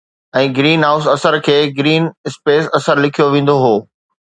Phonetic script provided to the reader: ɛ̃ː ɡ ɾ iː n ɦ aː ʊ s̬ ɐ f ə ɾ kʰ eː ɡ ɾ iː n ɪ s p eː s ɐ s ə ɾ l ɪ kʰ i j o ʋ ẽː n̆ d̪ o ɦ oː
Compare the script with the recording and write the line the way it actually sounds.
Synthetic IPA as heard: ɛ̃ː ɡ ɾ iː n ɦ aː ʊ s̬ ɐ s ə ɾ kʰ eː ɡ ɾ iː n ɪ s p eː s ɐ s ə ɾ l ɪ kʰ i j o ʋ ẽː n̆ d̪ o ɦ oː